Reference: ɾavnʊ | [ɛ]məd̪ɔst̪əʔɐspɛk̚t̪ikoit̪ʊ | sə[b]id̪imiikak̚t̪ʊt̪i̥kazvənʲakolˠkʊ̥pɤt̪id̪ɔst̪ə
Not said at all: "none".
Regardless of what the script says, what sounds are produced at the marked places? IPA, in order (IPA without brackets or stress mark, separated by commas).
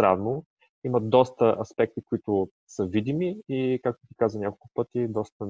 i, v